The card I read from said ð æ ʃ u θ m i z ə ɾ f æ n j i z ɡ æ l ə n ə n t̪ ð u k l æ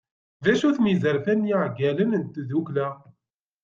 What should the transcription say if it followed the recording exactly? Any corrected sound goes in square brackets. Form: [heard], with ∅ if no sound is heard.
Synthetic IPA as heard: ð æ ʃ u θ m i z ə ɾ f æ n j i [ʕ] ɡ æ l ə n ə n t̪ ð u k l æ